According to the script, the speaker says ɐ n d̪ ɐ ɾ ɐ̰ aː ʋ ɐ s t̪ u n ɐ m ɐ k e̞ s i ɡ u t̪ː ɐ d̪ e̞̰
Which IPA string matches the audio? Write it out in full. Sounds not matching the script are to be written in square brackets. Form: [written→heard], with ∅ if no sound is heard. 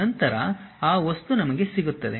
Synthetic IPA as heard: ɐ n [d̪→t̪] ɐ ɾ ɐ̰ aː ʋ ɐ s t̪ u n ɐ m ɐ [k→ɡ] e̞ s i ɡ u t̪ː ɐ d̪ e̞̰